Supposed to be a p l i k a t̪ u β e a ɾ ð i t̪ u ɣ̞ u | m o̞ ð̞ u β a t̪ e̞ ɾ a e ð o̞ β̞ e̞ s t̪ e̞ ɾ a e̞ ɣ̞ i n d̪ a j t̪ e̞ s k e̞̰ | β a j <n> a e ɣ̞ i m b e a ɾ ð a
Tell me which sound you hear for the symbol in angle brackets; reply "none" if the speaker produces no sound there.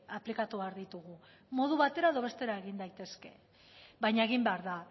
ɲ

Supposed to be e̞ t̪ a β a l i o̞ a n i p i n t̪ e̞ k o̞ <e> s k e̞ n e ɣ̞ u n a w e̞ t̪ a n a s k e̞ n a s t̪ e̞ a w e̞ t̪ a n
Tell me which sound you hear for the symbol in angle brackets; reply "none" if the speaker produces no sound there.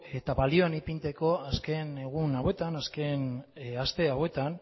a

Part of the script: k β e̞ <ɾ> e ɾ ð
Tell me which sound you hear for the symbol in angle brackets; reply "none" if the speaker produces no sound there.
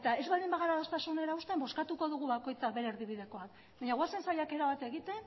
ɾ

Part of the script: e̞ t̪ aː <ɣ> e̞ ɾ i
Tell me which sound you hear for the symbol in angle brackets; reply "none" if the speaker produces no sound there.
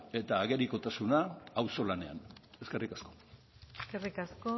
ɣ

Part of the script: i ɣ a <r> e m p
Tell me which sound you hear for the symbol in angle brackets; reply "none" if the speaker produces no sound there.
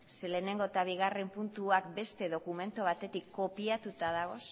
r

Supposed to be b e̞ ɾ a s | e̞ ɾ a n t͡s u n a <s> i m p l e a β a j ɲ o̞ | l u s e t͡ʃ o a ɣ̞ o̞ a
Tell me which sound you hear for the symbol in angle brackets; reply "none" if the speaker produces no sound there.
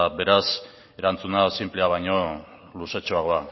s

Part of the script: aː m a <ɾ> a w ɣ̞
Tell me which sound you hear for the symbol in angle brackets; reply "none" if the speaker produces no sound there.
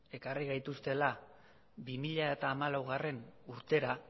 l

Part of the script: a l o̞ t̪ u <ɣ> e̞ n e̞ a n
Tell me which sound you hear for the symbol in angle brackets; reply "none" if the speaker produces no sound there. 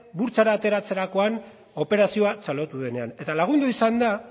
ð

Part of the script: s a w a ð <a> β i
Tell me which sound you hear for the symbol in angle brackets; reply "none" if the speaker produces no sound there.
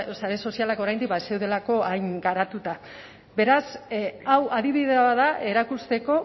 i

